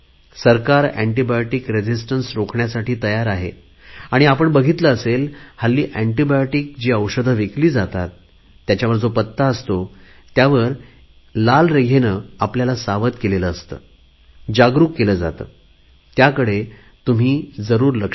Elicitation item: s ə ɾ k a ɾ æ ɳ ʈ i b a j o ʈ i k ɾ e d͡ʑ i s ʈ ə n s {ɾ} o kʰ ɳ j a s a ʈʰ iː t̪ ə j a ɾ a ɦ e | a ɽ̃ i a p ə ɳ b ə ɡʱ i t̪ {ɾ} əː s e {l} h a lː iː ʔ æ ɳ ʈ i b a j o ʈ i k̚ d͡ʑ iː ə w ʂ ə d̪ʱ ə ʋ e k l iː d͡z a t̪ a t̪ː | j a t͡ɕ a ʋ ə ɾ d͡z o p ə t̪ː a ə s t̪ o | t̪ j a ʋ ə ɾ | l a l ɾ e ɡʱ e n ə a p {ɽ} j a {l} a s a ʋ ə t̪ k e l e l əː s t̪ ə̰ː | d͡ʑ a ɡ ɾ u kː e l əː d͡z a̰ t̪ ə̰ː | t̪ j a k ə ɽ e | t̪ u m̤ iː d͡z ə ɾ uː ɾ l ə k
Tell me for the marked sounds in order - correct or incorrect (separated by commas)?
correct, incorrect, correct, incorrect, correct